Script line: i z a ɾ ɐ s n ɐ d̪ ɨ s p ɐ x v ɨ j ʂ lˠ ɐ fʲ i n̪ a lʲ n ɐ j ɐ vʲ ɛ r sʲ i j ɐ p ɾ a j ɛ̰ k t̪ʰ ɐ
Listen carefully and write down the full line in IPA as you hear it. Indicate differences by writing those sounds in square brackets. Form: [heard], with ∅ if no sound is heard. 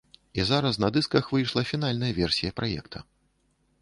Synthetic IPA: i z a ɾ ɐ s n ɐ d̪ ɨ s [k] ɐ x v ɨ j ʂ lˠ ɐ fʲ i n̪ a lʲ n ɐ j ɐ vʲ ɛ r sʲ i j ɐ p ɾ a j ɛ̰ k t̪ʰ ɐ